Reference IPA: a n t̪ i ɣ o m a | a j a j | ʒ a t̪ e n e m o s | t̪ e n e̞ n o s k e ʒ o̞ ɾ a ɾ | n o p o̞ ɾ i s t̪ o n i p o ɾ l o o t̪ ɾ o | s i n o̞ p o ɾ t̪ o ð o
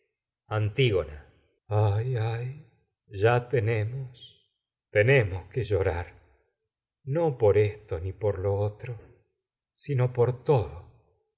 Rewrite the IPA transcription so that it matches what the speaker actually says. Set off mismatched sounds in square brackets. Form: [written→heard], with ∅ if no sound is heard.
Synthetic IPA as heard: a n t̪ i ɣ o [m→n] a | a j a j | ʒ a t̪ e n e m o s | t̪ e n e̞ [n→m] o s k e ʒ o̞ ɾ a ɾ | n o p o̞ ɾ [i→e] s t̪ o n i p o ɾ l o o t̪ ɾ o | s i n o̞ p o ɾ t̪ o ð o